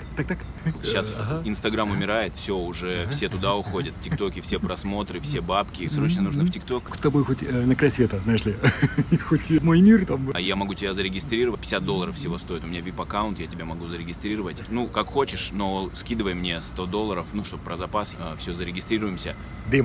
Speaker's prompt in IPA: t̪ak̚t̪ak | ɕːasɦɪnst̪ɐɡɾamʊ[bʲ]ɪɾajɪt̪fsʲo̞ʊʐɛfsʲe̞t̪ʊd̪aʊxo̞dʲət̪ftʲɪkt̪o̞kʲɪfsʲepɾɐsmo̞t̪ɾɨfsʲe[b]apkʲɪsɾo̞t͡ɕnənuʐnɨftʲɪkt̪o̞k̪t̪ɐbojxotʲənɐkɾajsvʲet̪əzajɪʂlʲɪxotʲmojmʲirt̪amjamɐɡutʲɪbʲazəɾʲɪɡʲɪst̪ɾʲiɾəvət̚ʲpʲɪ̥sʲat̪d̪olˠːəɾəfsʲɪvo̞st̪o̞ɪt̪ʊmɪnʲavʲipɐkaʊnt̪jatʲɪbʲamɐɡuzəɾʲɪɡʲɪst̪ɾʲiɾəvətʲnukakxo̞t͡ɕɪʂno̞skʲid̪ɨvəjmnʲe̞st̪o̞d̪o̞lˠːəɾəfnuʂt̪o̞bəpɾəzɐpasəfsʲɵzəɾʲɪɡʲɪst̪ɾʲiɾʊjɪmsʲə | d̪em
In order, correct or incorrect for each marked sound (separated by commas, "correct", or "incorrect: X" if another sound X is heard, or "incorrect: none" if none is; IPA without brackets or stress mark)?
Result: incorrect: mʲ, correct